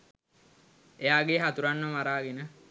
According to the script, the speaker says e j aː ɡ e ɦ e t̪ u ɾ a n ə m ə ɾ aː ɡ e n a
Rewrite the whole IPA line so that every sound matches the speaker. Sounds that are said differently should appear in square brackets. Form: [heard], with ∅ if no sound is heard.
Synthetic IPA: e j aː ɡ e ɦ [a] t̪ u ɾ a [nː] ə m [a] ɾ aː ɡ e n [ə]